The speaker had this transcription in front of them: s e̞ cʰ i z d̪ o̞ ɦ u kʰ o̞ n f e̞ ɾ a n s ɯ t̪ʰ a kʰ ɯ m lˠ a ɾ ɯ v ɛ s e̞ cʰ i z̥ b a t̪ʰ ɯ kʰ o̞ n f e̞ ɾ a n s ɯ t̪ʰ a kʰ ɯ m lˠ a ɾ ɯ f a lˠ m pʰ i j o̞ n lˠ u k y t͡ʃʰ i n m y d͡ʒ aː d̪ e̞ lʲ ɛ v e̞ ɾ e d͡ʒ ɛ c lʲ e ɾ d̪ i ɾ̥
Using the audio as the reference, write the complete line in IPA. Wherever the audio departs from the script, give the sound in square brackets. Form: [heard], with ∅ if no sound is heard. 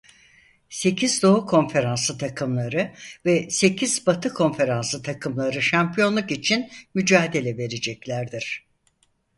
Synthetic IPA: s e̞ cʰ i z d̪ o̞ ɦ u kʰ o̞ n f e̞ ɾ a n s ɯ t̪ʰ a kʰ ɯ m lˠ a ɾ ɯ v ɛ s e̞ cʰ i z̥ b a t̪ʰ ɯ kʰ o̞ n f e̞ ɾ a n s ɯ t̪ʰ a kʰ ɯ m lˠ a ɾ ɯ [ʃ] a [∅] m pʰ i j o̞ n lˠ u k [i] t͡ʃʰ i n m y d͡ʒ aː d̪ e̞ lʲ ɛ v e̞ ɾ e d͡ʒ ɛ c lʲ [æ] ɾ d̪ i ɾ̥

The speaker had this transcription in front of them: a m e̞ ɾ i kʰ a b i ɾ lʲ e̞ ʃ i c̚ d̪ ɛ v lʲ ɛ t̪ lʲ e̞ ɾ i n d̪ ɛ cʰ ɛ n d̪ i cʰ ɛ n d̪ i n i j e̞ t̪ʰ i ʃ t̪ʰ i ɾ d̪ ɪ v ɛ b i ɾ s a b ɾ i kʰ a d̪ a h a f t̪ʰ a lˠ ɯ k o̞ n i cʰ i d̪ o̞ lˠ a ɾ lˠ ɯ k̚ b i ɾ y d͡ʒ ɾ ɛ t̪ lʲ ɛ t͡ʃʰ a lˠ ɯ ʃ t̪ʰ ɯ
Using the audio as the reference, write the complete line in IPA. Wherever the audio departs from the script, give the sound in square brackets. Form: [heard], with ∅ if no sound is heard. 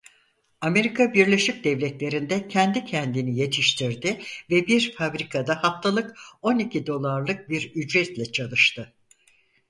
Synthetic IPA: a m e̞ ɾ i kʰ a b i ɾ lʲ e̞ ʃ i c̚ d̪ ɛ v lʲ ɛ t̪ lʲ e̞ ɾ i n d̪ ɛ cʰ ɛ n d̪ i cʰ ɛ n d̪ i n i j e̞ t̪ʰ i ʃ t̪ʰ i ɾ d̪ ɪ v ɛ b i ɾ [f] a b ɾ i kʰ a d̪ a h a f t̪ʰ a lˠ ɯ k o̞ n i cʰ i d̪ o̞ lˠ a ɾ lˠ ɯ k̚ b i ɾ y d͡ʒ ɾ ɛ t̪ lʲ ɛ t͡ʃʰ a lˠ ɯ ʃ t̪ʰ ɯ

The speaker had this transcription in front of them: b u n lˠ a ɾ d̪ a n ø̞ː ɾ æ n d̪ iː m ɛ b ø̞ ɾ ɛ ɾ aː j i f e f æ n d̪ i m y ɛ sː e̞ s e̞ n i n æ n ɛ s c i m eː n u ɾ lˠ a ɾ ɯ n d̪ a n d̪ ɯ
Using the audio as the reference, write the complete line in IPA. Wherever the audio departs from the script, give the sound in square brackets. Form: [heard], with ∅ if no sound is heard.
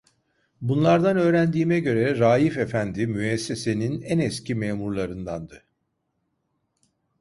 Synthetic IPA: b u n lˠ a ɾ d̪ a n ø̞ː ɾ æ n d̪ iː m ɛ [ɟ] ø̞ ɾ ɛ ɾ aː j i f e f æ n d̪ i m y ɛ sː e̞ s e̞ n i n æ n ɛ s c i m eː [m] u ɾ lˠ a ɾ ɯ n d̪ a n d̪ ɯ

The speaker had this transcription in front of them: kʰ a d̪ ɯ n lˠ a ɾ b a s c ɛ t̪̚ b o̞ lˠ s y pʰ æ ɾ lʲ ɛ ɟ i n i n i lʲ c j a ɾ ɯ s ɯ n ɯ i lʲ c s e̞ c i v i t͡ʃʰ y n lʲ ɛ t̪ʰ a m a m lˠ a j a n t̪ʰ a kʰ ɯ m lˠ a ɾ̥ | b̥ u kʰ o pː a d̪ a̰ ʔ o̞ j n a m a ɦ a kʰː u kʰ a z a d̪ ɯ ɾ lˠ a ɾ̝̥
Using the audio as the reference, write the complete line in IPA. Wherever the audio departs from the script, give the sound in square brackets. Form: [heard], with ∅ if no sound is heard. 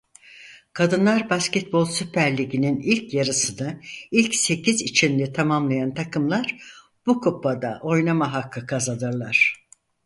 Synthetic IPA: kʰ a d̪ ɯ n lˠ a ɾ b a s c ɛ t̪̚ b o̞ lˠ s y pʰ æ ɾ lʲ [i] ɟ i n i n i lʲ c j a ɾ ɯ s ɯ n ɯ i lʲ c s e̞ c i [z] i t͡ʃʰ [i] n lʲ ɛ t̪ʰ a m a m lˠ a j a n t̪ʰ a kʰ ɯ m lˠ a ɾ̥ | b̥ u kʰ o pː a d̪ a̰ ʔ o̞ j n a m a ɦ a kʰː [ɯ] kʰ a z a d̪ ɯ ɾ lˠ a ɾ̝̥

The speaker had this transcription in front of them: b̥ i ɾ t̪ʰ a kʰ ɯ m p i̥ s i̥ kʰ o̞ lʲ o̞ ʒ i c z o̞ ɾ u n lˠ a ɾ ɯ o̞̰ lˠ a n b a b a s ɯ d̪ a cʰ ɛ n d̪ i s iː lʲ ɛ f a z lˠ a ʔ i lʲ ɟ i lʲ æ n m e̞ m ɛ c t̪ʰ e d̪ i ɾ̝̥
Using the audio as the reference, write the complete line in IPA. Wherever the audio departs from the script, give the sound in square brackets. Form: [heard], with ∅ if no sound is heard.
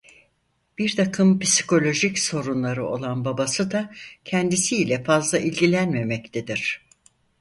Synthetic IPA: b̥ i ɾ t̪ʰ a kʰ ɯ m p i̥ s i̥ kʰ o̞ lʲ o̞ ʒ i c [s] o̞ ɾ u n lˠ a ɾ ɯ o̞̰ lˠ a n b a b a s ɯ d̪ a cʰ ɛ n d̪ i s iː lʲ ɛ f a z lˠ a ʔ i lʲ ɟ i lʲ æ n m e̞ m ɛ c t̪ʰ e d̪ i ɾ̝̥

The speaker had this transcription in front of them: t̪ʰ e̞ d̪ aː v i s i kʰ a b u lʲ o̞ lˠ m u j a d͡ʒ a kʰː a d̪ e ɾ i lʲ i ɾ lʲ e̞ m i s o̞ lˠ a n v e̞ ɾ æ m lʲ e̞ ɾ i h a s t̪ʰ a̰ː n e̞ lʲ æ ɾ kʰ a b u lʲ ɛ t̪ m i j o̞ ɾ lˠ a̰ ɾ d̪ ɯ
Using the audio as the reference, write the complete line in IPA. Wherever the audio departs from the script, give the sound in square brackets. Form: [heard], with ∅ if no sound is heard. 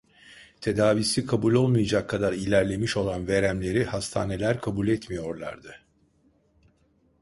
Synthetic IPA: t̪ʰ e̞ d̪ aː v i s i kʰ a b u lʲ o̞ lˠ m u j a d͡ʒ a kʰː a d̪ [a] ɾ i lʲ [æ] ɾ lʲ e̞ m i [ʃ] o̞ lˠ a n v e̞ ɾ æ m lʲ e̞ ɾ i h a s t̪ʰ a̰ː n e̞ lʲ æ ɾ kʰ a b u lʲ ɛ t̪ m i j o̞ ɾ lˠ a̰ ɾ d̪ ɯ

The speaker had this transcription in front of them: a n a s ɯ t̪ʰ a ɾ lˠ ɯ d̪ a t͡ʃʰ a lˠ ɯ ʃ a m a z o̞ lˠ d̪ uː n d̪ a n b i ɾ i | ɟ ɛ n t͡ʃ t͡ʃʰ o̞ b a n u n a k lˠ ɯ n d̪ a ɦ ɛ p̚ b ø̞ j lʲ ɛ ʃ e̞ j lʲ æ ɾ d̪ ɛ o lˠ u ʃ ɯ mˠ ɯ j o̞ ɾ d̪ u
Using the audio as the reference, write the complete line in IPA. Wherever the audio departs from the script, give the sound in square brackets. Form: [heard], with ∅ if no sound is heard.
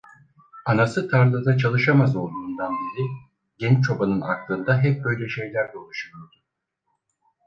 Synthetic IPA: a n a s ɯ t̪ʰ a ɾ lˠ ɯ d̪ a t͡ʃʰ a lˠ ɯ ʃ a m a z o̞ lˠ d̪ uː n d̪ a n b i ɾ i | ɟ ɛ n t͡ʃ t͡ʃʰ o̞ b a n [ɯ] n a k lˠ ɯ n d̪ a ɦ ɛ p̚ b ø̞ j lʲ ɛ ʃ e̞ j lʲ æ ɾ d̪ ɛ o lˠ u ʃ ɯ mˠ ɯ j o̞ ɾ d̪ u

